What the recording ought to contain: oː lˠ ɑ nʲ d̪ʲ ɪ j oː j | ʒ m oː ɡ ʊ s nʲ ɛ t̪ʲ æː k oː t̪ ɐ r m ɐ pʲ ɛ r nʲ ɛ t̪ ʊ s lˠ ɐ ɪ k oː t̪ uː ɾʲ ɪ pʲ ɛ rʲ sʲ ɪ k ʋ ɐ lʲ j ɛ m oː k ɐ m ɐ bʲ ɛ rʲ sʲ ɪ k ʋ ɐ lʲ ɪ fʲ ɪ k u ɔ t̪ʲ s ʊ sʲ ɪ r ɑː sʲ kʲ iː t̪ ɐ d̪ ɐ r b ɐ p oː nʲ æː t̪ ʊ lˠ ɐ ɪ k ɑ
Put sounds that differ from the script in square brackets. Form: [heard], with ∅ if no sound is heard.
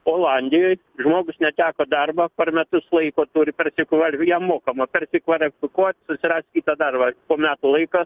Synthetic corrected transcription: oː lˠ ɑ nʲ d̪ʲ ɪ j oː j | ʒ m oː ɡ ʊ s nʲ ɛ t̪ʲ æː k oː [d̪] ɐ r [b] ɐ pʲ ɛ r [mʲ] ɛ t̪ ʊ s lˠ ɐ ɪ k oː t̪ uː ɾʲ ɪ pʲ ɛ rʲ sʲ ɪ k ʋ ɐ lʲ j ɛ m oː k ɐ m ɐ [pʲ] ɛ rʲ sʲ ɪ k ʋ ɐ lʲ ɪ fʲ ɪ k u ɔ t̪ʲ s ʊ sʲ ɪ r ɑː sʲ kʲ iː t̪ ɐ d̪ ɐ r b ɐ p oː [mʲ] æː t̪ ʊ lˠ ɐ ɪ k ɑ